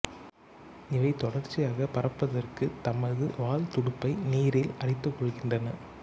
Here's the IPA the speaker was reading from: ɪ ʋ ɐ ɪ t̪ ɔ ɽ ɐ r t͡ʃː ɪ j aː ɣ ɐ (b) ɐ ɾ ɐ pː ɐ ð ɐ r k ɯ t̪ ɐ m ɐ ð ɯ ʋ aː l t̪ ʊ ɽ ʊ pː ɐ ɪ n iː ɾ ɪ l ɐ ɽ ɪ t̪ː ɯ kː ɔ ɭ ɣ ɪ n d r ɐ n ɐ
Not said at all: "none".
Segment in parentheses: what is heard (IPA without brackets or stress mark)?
p